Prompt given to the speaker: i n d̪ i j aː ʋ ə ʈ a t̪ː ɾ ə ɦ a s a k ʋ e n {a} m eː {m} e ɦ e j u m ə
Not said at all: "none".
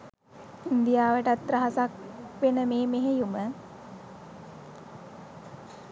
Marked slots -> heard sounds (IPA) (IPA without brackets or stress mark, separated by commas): ə, m